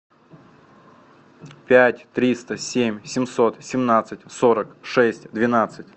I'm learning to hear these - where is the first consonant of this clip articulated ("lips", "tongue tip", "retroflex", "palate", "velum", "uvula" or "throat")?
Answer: lips